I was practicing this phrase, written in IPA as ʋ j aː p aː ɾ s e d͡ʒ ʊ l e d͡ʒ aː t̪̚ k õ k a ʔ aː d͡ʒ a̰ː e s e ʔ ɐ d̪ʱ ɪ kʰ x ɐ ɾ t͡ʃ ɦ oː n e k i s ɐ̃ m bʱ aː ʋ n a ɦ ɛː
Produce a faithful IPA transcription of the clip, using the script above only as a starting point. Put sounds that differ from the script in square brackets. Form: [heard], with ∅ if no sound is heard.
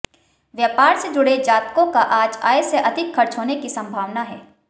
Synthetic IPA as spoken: ʋ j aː p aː ɾ s e d͡ʒ ʊ [ɽ] e d͡ʒ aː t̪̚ k õ k a ʔ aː d͡ʒ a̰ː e s e ʔ ɐ d̪ʱ ɪ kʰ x ɐ ɾ t͡ʃ ɦ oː n e k i s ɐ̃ m bʱ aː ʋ n a ɦ ɛː